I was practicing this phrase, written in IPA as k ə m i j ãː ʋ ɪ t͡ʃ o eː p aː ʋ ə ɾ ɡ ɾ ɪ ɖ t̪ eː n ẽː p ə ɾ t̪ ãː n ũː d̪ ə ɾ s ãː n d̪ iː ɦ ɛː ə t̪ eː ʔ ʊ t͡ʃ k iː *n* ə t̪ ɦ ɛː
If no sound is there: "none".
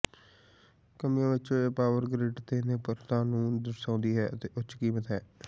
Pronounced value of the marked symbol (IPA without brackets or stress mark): m